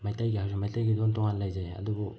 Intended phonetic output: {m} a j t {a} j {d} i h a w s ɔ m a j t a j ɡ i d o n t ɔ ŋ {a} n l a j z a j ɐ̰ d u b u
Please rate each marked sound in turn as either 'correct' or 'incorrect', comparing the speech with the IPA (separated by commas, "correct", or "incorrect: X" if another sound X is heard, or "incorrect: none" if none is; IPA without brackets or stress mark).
correct, correct, incorrect: ɡ, correct